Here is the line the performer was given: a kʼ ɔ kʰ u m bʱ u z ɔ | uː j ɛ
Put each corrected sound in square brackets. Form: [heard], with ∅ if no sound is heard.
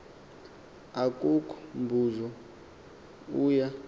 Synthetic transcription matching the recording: a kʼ [u] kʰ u m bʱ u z ɔ | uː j [a]